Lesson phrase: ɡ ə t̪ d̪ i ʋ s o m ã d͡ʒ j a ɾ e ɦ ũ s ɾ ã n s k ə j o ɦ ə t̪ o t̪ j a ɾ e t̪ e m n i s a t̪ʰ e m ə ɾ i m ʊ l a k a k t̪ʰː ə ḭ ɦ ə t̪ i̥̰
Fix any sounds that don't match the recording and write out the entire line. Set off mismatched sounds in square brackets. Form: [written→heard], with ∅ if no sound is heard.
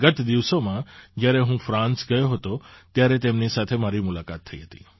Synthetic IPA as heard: ɡ ə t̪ d̪ i ʋ s o m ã d͡ʒ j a ɾ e ɦ ũ [s→f] ɾ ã n s [k→ɡ] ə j o ɦ ə t̪ o t̪ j a ɾ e t̪ e m n i s a t̪ʰ e m [ə→a] ɾ i m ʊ l a k a [k→∅] t̪ʰː ə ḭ ɦ ə t̪ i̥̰